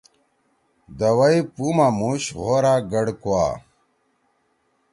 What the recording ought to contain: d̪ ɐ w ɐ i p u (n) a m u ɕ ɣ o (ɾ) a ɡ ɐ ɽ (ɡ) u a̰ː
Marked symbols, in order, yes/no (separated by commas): no, yes, no